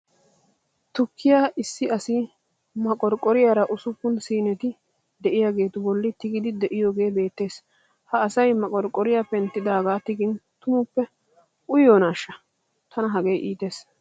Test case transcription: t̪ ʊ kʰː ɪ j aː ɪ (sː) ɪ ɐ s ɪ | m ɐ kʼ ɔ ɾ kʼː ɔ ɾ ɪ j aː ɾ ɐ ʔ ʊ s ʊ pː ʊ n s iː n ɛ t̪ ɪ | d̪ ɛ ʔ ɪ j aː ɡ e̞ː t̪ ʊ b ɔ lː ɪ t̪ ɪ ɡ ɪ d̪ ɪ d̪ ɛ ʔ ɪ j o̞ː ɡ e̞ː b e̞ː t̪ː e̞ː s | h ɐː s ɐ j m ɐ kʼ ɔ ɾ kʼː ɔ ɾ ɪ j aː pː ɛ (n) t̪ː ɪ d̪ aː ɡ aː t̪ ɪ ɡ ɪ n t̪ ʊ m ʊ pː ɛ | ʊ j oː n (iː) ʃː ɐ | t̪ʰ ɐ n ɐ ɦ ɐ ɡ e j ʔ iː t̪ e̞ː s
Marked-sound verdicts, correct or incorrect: correct, correct, incorrect: aː

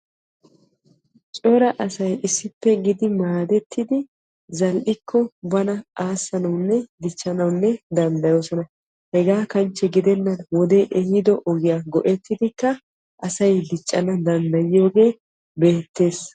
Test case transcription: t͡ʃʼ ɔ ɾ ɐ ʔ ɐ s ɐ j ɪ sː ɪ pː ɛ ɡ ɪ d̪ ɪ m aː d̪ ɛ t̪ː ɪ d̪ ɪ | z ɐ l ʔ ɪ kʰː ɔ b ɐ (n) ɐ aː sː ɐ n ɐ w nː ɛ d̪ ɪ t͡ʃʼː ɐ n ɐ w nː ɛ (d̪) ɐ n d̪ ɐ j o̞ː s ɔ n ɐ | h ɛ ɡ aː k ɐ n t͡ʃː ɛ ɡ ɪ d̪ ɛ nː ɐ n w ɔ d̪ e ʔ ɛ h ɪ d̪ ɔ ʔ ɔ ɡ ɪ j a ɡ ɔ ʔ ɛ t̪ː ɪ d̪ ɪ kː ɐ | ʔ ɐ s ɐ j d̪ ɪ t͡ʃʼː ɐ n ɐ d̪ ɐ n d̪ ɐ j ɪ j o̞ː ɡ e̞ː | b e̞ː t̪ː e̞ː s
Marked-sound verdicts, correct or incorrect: correct, correct

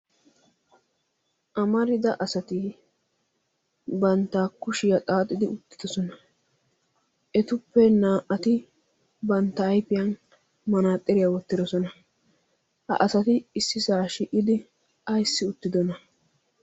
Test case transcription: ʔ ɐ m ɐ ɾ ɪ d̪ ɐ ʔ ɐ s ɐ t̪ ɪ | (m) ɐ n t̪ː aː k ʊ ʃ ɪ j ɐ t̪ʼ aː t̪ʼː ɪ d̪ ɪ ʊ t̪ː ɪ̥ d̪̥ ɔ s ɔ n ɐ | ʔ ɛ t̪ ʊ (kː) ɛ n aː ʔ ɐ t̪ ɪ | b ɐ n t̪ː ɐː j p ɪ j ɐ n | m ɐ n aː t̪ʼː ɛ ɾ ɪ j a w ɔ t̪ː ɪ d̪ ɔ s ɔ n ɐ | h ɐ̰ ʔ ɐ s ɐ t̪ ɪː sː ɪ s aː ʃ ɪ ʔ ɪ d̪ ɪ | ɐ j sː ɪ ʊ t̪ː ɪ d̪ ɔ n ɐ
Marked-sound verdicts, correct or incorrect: incorrect: b, incorrect: pː

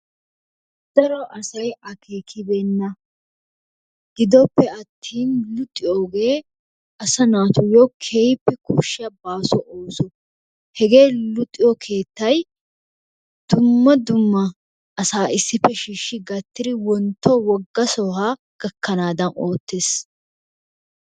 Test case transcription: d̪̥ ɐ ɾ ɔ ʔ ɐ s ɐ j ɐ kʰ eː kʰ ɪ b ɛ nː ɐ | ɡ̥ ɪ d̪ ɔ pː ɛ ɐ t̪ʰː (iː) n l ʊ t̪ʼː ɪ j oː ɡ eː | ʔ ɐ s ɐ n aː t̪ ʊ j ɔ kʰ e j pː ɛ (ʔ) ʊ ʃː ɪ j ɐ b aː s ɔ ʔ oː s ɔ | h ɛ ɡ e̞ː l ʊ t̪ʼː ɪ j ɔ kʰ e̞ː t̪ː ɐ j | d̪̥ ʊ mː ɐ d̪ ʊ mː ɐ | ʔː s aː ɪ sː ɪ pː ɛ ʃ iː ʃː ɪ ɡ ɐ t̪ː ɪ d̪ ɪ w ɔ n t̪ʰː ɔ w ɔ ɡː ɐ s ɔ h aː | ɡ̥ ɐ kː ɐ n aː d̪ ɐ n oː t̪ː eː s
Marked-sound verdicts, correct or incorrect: correct, incorrect: k

